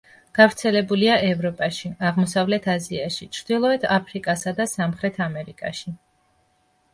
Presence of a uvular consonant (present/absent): present